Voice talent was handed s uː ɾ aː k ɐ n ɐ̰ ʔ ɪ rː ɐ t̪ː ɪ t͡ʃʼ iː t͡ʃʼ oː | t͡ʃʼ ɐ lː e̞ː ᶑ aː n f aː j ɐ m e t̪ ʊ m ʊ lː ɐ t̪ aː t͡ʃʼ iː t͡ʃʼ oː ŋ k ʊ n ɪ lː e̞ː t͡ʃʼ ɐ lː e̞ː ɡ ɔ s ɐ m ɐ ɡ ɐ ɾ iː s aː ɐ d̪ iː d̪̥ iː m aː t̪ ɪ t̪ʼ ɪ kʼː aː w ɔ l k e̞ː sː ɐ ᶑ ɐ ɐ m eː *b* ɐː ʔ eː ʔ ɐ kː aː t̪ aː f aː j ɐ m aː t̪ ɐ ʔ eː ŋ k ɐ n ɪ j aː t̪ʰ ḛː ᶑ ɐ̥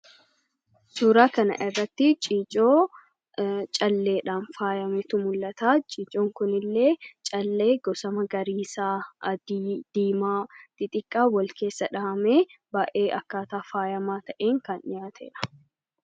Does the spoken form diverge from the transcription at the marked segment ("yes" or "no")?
no